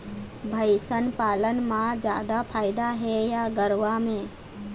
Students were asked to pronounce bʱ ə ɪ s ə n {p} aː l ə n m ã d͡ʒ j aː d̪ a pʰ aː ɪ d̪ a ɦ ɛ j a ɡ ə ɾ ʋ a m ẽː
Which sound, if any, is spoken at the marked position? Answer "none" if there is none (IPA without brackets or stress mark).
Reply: p